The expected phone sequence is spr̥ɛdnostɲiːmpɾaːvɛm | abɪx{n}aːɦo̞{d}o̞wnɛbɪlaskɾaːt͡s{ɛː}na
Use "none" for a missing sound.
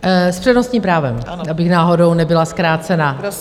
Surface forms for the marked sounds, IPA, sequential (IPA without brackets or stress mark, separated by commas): n, d, ɛ